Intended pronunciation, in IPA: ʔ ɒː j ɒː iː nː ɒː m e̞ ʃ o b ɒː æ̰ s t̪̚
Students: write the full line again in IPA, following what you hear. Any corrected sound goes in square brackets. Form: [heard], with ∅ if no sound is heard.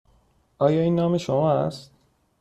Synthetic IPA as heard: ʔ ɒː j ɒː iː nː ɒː m e̞ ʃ o [m] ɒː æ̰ s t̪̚